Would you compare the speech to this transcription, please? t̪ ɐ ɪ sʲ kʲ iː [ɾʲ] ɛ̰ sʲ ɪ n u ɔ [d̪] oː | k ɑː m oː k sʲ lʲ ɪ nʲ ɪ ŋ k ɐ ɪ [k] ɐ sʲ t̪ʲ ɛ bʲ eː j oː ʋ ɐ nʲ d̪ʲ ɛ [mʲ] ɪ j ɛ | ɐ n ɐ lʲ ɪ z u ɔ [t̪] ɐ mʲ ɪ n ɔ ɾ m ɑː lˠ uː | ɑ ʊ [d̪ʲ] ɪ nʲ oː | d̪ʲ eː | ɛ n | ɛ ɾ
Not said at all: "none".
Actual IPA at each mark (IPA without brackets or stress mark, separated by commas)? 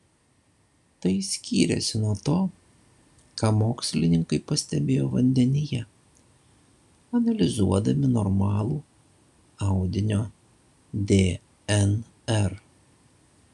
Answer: ɾʲ, t̪, p, nʲ, d̪, d̪ʲ